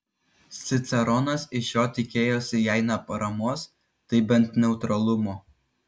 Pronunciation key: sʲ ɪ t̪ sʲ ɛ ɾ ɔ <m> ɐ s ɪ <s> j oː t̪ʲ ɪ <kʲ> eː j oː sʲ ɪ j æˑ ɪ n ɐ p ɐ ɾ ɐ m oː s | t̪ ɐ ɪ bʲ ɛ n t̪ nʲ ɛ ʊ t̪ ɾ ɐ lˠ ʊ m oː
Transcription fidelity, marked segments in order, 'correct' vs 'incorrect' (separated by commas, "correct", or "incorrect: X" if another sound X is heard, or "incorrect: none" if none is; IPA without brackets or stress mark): incorrect: n, incorrect: ʃ, correct